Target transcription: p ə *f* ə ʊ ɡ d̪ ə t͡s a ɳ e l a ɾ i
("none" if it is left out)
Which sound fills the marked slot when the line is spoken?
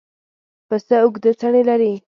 s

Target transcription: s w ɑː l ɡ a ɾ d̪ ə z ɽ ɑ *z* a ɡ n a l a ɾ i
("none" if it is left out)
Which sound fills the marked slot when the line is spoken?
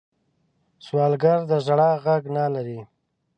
ɣ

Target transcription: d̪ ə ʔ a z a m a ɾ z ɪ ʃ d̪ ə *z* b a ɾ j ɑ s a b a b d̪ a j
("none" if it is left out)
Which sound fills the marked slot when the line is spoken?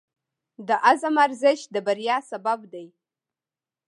none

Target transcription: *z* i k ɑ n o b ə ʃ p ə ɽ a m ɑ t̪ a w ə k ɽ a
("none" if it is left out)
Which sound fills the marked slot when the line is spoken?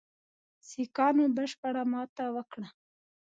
s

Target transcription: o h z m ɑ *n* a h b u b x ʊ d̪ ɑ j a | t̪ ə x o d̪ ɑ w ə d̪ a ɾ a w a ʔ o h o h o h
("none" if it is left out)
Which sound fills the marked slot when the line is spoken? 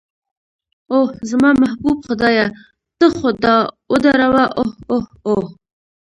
m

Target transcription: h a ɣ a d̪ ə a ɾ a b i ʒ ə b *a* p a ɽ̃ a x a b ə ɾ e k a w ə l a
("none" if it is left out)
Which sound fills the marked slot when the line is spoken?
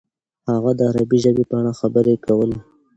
e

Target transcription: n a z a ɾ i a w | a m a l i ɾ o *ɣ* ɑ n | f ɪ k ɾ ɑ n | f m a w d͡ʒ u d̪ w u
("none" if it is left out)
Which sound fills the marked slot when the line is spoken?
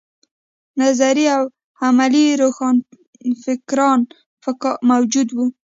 x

